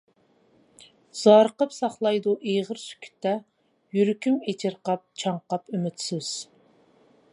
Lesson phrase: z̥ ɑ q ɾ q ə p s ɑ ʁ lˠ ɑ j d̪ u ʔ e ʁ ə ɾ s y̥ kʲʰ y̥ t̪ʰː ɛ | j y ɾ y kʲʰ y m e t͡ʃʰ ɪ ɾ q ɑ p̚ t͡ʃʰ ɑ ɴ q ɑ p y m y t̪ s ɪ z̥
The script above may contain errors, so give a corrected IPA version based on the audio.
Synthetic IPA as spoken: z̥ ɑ ɾ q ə p s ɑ χ lˠ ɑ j d̪ u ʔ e ʁ ə ɾ s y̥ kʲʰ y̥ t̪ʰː ɛ | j y ɾ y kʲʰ y m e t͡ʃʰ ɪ ɾ q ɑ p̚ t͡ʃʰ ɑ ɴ q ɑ p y m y t̪ s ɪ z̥